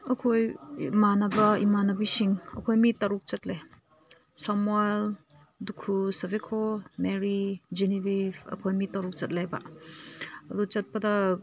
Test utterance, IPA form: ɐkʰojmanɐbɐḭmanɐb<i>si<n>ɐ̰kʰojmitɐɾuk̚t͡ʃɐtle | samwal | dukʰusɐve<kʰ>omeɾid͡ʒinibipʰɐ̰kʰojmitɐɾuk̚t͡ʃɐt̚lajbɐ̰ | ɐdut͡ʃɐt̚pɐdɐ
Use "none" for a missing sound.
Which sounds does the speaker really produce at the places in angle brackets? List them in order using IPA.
i, ŋ, kʰ

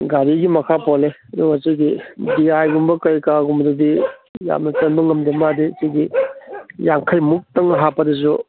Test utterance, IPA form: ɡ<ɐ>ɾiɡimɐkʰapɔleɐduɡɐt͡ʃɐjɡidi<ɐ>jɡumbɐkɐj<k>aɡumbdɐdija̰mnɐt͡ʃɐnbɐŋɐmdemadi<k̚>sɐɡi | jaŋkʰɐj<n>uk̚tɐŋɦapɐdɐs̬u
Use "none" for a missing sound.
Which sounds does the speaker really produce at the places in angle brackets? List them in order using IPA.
a, a, k, none, m

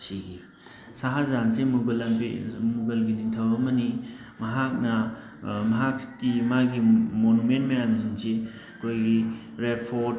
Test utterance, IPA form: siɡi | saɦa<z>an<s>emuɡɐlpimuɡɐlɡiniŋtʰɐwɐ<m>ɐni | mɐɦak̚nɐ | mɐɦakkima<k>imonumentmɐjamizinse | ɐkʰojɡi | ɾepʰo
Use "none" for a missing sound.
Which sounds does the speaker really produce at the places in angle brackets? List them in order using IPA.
z, s, m, ɡ

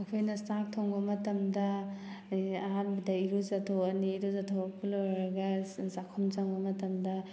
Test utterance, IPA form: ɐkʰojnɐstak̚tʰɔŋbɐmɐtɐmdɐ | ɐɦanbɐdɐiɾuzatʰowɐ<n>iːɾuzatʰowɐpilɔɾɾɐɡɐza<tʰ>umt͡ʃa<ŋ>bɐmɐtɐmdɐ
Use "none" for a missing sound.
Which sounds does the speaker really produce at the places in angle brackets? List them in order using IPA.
n, kʰ, ŋ

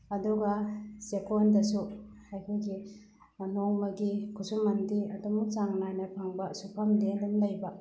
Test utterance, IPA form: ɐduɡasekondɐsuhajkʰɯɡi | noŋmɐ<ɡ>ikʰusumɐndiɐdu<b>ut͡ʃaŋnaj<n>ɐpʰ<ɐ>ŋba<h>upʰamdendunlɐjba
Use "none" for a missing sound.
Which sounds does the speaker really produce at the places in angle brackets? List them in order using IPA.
ɡ, m, n, a, s

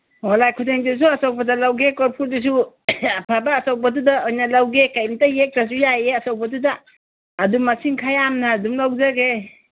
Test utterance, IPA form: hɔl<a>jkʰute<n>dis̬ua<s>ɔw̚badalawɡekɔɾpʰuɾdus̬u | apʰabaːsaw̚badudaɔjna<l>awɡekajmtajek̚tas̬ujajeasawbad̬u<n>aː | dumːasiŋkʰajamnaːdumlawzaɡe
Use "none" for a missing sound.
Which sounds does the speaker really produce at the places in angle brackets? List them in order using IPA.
a, ŋ, s, l, d

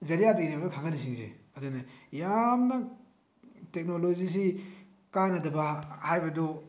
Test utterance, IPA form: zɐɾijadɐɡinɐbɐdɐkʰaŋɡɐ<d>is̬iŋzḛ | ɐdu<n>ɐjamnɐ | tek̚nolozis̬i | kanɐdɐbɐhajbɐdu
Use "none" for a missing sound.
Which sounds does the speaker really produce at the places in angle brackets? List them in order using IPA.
n, n

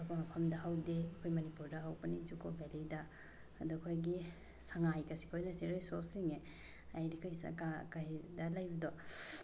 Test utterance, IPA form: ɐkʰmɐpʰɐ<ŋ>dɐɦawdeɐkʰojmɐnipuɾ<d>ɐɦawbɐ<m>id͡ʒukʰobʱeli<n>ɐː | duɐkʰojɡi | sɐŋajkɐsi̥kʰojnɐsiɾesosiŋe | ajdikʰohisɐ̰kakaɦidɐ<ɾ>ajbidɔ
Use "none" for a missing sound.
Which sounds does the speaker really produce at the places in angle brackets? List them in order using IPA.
m, d, n, d, l

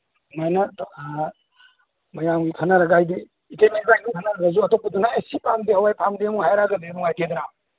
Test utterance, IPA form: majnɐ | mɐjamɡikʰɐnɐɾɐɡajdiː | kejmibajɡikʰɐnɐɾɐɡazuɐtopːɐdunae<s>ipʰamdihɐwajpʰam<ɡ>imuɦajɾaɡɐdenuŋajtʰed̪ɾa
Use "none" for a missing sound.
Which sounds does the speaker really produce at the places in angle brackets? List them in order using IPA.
s, d

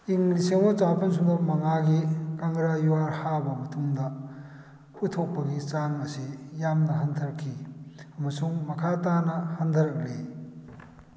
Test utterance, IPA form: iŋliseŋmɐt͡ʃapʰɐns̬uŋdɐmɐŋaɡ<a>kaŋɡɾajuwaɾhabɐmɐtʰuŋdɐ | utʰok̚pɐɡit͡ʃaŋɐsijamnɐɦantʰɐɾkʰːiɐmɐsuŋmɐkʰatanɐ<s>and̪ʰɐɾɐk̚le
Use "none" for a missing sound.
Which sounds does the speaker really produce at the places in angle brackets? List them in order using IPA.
i, h

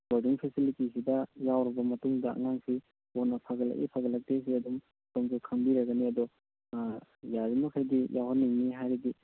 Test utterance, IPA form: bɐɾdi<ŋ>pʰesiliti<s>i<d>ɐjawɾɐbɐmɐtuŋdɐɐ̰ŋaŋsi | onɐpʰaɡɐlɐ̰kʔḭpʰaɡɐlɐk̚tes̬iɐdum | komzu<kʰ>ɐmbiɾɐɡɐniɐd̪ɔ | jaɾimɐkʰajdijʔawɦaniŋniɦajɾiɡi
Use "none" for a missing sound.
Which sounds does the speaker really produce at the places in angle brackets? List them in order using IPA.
ŋ, s, d, kʰ

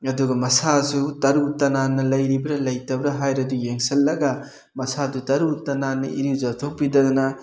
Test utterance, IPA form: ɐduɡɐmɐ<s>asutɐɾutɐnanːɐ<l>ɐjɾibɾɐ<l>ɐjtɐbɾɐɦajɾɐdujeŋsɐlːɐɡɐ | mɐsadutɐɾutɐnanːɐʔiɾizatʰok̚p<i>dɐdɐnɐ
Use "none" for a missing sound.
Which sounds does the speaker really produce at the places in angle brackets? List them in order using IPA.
s, l, l, i

